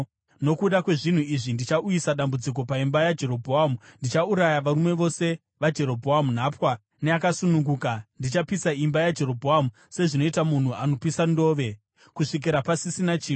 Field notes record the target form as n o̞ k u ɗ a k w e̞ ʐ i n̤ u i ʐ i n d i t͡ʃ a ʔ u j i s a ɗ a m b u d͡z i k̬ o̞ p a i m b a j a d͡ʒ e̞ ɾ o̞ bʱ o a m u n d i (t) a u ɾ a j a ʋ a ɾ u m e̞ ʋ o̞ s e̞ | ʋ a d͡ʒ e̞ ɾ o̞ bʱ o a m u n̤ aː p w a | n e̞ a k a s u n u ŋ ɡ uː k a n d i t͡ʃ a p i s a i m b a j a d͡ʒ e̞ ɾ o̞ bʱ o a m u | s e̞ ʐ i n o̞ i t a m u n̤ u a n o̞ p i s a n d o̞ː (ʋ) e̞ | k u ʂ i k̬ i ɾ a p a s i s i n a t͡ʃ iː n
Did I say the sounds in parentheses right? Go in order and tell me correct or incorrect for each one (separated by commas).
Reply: incorrect, correct